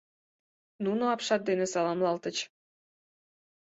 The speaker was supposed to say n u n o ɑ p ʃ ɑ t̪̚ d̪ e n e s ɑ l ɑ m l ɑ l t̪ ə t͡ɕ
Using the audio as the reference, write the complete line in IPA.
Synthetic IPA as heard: n u n o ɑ p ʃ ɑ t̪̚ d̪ e n e s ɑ l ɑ m l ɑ l t̪ ə t͡ɕ